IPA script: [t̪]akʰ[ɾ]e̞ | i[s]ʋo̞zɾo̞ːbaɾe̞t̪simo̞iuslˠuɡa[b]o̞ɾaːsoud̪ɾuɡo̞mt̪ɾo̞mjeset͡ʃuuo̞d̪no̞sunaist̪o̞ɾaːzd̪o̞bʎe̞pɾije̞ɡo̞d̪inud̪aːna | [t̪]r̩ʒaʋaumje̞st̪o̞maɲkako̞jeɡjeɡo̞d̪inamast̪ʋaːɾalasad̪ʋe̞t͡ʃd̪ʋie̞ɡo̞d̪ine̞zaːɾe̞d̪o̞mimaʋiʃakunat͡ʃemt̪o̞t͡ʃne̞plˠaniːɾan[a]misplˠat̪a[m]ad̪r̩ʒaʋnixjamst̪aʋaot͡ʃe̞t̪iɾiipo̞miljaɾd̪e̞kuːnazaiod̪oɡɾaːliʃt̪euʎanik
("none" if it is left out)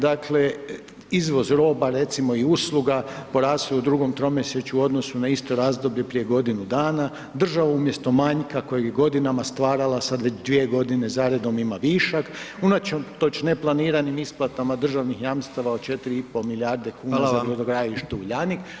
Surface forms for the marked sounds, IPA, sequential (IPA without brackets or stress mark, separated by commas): d̪, l, z, p, d̪, i, m